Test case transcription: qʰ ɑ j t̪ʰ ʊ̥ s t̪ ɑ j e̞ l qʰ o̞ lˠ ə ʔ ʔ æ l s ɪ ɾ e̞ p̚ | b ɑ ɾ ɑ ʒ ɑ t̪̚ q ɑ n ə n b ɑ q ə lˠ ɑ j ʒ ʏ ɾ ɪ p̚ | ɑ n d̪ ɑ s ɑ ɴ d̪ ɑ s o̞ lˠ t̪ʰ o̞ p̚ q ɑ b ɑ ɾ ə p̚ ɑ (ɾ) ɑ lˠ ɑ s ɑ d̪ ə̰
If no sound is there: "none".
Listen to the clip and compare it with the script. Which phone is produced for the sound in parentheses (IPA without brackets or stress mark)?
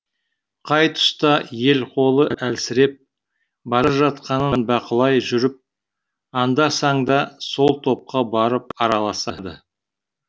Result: ɾ